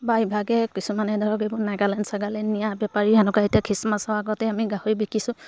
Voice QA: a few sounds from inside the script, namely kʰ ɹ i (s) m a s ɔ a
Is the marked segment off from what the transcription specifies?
no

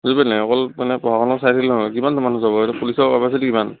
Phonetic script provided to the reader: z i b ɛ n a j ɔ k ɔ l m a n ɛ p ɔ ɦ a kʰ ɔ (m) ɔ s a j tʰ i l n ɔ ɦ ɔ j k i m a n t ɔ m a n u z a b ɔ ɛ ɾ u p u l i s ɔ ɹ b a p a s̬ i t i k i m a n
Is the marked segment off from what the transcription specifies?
yes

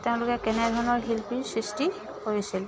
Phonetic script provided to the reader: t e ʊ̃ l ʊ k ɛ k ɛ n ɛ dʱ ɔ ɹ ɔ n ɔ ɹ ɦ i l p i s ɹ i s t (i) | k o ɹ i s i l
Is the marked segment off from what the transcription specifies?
no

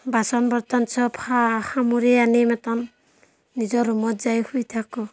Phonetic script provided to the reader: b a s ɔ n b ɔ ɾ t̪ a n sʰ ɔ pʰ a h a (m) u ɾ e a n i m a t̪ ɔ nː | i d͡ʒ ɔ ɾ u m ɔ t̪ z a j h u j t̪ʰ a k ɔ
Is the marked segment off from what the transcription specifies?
no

